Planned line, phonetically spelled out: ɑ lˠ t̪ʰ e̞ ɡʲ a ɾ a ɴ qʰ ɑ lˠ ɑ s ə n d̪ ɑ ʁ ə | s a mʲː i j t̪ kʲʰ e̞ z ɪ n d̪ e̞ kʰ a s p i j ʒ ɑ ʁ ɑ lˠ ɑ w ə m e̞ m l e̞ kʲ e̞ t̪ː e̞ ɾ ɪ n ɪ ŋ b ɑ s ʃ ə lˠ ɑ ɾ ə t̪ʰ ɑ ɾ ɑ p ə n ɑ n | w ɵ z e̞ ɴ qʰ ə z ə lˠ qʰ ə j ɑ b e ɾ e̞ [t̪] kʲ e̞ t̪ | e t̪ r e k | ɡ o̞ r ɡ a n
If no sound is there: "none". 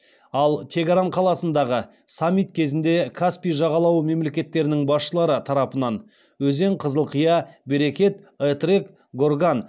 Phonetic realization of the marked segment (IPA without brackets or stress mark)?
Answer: none